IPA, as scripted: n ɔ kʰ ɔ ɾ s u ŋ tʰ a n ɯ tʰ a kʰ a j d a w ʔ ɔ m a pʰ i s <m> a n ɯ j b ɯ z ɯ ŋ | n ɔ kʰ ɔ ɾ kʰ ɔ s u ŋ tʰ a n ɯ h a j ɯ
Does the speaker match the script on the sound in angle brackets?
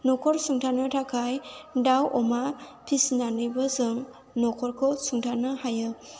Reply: no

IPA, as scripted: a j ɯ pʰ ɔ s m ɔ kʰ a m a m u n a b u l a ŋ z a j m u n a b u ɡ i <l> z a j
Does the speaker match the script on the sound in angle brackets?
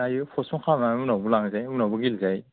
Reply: yes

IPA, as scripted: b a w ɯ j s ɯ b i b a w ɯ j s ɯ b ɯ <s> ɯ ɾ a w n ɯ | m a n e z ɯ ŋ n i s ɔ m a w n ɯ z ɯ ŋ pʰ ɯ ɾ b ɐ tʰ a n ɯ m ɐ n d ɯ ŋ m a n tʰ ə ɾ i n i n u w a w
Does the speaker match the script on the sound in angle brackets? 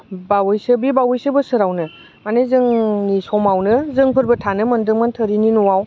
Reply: yes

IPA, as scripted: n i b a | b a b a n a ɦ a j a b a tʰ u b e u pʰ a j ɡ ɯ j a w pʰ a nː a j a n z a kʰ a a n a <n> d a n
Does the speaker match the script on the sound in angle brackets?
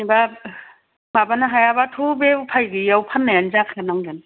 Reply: no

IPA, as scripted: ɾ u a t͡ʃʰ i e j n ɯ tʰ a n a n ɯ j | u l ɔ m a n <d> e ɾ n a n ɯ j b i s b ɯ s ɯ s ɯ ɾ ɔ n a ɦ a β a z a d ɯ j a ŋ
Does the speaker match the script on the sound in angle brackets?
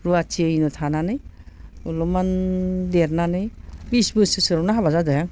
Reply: yes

